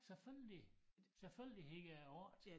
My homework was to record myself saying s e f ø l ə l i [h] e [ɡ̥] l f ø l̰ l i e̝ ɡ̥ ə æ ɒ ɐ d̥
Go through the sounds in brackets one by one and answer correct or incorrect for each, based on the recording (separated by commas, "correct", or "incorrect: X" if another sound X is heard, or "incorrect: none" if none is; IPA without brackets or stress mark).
incorrect: s, incorrect: none